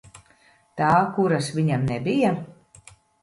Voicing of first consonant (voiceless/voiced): voiceless